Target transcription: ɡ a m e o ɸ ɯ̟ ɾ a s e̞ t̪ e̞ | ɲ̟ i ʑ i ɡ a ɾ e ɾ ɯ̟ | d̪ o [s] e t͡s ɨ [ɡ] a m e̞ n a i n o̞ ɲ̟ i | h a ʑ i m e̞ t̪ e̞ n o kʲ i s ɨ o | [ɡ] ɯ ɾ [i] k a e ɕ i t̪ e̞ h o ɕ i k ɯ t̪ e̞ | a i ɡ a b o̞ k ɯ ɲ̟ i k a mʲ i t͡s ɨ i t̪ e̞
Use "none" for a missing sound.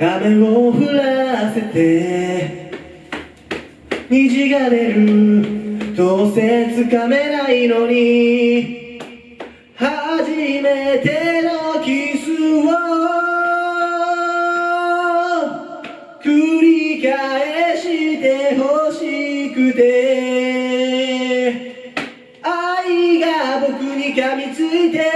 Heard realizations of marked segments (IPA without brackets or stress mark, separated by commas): s, k, k, i